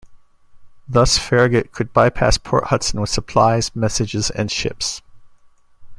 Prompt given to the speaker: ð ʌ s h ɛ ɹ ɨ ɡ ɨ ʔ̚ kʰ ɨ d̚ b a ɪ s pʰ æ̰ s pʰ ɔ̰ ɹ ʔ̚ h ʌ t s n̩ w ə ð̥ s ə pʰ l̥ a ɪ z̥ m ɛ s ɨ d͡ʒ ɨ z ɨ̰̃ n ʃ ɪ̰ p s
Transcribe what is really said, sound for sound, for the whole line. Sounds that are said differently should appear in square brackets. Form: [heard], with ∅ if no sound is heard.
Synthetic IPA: ð ʌ s [f] ɛ ɹ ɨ ɡ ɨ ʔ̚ kʰ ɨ d̚ b a ɪ [∅] pʰ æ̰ s pʰ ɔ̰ ɹ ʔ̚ h ʌ t s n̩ w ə ð̥ s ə pʰ l̥ a ɪ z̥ m ɛ s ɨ d͡ʒ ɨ z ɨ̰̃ n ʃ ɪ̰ p s